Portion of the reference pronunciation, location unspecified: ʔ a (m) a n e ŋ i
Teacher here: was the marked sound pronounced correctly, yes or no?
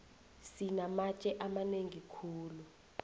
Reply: yes